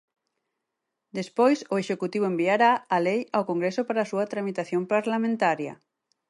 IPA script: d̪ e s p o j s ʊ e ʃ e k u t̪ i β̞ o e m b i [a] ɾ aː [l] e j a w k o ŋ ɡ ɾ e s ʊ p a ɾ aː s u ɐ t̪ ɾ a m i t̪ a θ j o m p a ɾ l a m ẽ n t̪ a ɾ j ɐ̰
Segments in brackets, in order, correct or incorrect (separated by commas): correct, correct